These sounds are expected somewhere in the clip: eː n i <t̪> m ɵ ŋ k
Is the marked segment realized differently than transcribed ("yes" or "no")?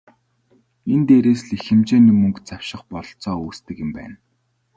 yes